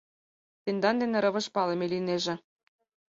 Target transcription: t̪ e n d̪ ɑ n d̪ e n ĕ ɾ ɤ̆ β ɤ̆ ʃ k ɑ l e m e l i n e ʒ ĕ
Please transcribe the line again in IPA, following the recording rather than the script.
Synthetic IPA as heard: t̪ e n d̪ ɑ n d̪ e n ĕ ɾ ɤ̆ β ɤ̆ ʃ p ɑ l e m e l i n e ʒ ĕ